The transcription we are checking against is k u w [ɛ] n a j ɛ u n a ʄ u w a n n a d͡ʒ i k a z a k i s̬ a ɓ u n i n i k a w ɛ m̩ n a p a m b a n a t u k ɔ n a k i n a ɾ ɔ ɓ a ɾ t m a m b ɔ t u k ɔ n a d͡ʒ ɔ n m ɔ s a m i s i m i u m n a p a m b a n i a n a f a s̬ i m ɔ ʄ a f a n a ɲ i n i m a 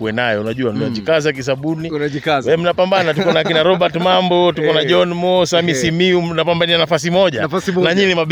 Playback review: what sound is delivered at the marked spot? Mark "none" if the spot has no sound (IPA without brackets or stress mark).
ɛ